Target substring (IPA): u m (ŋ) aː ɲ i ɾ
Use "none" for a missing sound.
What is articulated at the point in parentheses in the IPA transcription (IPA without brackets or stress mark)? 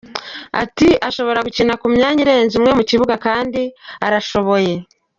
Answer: ɲ